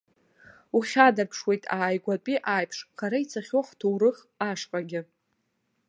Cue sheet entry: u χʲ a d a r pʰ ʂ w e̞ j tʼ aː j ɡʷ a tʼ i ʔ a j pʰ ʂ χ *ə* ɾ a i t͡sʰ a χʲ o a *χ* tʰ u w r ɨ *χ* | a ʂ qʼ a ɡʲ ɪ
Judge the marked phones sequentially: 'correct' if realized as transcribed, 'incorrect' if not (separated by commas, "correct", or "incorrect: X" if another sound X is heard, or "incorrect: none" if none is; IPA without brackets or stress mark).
incorrect: a, correct, correct